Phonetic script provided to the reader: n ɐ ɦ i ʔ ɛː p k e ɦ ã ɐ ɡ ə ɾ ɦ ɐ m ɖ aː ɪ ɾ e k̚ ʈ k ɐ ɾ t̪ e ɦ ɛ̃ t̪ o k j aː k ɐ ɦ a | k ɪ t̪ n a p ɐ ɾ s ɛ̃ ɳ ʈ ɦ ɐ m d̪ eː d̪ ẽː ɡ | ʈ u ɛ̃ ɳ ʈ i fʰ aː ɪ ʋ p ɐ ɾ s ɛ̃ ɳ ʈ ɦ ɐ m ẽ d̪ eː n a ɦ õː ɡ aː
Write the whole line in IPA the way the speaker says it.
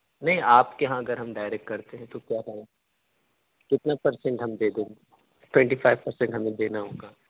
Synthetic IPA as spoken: n ɐ ɦ ĩ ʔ aː p k e ɦ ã ɐ ɡ ə ɾ ɦ ɐ m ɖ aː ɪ ɾ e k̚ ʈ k ɐ ɾ t̪ e ɦ ɛ̃ t̪ o k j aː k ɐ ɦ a | k ɪ t̪ n a p ɐ ɾ s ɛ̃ ɳ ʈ ɦ ɐ m d̪ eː d̪ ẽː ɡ | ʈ w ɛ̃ ɳ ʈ i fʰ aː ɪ ʋ p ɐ ɾ s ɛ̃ ɳ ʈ ɦ ɐ m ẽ d̪ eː n a ɦ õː ɡ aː